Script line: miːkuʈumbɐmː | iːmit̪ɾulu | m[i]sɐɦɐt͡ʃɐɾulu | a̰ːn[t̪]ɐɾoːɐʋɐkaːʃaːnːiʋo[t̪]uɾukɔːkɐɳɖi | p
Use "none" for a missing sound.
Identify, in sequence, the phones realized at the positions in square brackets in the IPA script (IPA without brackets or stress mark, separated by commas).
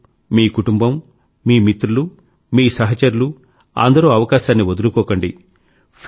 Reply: iː, d̪, d̪